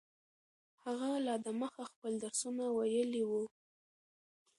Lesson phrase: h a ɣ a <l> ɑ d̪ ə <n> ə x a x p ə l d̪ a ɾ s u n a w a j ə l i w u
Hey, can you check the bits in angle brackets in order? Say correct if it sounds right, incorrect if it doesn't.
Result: correct, incorrect: m

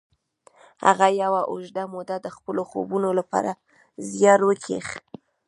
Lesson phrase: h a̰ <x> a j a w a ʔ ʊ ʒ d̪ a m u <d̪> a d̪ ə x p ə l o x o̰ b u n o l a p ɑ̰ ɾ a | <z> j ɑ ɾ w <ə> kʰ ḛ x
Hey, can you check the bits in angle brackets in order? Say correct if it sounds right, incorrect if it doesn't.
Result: incorrect: ɣ, correct, correct, correct

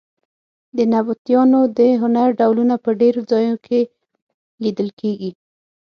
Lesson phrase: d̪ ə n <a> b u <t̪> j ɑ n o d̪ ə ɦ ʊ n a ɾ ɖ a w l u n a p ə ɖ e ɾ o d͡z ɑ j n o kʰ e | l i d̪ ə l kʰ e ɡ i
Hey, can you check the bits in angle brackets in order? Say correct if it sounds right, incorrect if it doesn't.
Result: correct, correct

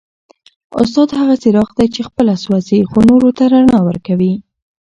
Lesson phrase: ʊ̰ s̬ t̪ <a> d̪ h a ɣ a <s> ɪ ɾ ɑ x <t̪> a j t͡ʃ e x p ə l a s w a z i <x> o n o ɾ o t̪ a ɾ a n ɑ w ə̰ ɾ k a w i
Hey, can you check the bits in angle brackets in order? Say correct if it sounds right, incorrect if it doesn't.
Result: incorrect: ɑ, correct, incorrect: d̪, correct

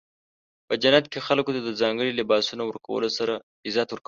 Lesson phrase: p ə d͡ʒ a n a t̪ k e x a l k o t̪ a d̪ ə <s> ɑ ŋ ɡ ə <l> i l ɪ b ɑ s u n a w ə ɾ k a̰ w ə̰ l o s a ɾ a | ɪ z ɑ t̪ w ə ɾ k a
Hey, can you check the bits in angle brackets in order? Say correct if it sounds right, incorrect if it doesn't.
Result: incorrect: z, incorrect: ɽ

